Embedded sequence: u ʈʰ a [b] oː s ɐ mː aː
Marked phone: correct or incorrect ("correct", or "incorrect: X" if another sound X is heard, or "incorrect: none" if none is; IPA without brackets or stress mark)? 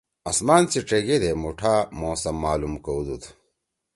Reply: incorrect: m